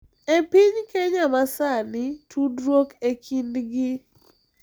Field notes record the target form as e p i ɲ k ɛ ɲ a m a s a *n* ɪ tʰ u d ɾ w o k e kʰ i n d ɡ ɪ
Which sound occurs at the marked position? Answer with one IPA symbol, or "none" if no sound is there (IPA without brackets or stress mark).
n